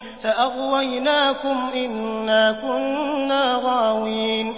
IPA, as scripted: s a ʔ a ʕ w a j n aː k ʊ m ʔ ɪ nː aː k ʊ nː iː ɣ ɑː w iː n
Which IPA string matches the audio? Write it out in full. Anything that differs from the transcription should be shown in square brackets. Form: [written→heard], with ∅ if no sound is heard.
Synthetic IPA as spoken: [s→f] a ʔ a [ʕ→ɣ] w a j n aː k ʊ m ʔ ɪ nː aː k ʊ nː [iː→aː] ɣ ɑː w iː n